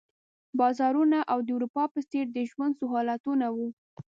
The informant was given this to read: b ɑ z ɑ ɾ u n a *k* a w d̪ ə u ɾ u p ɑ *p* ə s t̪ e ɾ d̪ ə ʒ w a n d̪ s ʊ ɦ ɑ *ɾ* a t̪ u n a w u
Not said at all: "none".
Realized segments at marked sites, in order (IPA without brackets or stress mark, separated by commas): ʔ, p, l